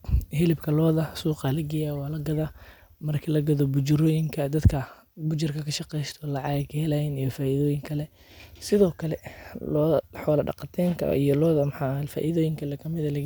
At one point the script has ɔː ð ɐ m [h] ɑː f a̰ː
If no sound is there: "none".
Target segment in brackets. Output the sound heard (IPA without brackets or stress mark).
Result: ħ